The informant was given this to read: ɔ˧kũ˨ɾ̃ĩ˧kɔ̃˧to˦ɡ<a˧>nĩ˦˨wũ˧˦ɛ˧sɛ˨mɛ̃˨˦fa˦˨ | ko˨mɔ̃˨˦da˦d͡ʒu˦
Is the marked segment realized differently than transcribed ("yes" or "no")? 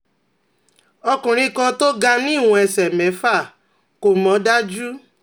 no